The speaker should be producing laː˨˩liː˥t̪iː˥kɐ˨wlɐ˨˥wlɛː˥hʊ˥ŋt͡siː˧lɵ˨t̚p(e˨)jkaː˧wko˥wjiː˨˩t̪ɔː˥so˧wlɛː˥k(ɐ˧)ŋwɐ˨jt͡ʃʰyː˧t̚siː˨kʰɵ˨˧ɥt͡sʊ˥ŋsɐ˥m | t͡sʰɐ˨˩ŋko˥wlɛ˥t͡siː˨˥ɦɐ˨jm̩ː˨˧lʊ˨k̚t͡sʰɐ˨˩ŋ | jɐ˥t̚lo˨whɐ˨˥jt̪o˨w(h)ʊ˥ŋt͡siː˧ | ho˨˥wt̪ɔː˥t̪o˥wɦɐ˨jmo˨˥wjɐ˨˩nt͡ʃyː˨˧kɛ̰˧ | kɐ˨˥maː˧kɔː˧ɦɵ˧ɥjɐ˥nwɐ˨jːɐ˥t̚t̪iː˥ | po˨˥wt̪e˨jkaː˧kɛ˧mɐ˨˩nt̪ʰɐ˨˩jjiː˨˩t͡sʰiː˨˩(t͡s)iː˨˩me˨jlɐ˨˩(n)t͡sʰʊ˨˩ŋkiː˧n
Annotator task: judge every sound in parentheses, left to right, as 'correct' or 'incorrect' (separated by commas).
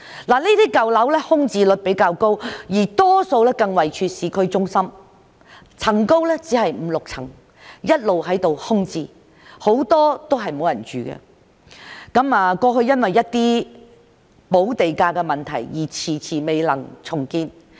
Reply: incorrect, correct, correct, incorrect, incorrect